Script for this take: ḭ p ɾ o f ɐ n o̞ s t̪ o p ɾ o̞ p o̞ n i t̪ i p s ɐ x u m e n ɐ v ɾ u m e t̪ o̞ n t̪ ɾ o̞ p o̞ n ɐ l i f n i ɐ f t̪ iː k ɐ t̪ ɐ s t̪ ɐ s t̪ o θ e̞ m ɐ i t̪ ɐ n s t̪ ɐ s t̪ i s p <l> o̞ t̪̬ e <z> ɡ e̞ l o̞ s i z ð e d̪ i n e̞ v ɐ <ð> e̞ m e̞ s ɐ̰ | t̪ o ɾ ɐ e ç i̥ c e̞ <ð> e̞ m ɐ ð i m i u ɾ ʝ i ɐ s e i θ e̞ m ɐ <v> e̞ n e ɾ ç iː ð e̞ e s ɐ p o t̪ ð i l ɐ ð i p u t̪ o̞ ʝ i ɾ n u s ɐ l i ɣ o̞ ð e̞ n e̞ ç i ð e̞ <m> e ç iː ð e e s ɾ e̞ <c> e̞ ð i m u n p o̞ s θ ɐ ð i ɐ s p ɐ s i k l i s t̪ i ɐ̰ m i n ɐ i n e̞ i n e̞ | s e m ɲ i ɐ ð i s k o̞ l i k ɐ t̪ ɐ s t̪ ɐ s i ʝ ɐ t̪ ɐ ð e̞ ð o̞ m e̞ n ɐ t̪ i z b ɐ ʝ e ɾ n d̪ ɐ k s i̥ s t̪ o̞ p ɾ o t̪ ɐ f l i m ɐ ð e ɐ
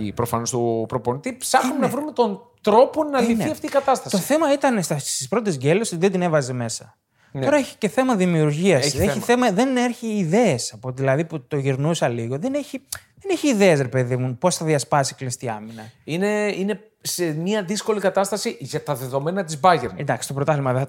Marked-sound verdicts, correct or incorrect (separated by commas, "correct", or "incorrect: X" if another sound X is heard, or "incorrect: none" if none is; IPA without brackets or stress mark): incorrect: ɾ, correct, incorrect: z, incorrect: θ, incorrect: ð, incorrect: n, incorrect: p